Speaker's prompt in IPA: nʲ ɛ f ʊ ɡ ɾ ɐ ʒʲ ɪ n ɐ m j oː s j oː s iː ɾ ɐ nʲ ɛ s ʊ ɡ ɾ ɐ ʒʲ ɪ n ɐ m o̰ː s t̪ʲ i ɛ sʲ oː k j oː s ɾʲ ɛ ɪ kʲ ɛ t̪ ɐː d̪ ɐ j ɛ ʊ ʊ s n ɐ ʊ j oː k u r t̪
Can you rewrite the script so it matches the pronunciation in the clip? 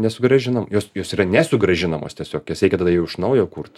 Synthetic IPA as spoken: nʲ ɛ s ʊ ɡ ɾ ɐ ʒʲ ɪ n ɐ m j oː s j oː s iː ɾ ɐ nʲ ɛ s ʊ ɡ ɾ ɐ ʒʲ ɪ n ɐ m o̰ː s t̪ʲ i ɛ sʲ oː k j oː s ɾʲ ɛ ɪ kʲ ɛ t̪ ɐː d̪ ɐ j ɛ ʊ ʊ ʃ n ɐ ʊ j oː k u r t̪

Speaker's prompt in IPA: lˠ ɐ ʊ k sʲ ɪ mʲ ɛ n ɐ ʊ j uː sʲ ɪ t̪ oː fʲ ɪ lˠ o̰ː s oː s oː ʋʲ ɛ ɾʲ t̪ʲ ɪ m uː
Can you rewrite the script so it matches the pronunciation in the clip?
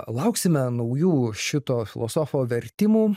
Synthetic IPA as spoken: lˠ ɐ ʊ k sʲ ɪ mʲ ɛ n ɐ ʊ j uː ʃʲ ɪ t̪ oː fʲ ɪ lˠ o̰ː s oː f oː ʋʲ ɛ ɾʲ t̪ʲ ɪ m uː

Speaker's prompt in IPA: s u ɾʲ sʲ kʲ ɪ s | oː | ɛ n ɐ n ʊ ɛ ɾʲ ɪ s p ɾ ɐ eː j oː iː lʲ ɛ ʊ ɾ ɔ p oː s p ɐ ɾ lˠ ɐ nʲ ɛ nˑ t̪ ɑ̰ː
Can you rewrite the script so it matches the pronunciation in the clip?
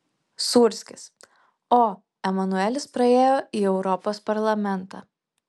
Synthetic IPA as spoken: s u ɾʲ sʲ kʲ ɪ s | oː | ɛ m ɐ n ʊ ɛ lʲ ɪ s p ɾ ɐ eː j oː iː ɛ ʊ ɾ ɔ p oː s p ɐ ɾ lˠ ɐ mʲ ɛ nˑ t̪ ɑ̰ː

